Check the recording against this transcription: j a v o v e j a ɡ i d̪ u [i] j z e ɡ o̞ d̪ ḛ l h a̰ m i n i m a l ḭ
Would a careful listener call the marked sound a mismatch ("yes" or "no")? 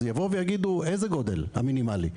yes